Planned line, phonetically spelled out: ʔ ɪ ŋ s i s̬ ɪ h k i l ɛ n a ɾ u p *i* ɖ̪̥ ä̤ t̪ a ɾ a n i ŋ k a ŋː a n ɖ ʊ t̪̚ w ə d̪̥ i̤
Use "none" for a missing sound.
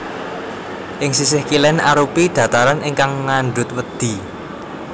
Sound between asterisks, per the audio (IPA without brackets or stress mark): i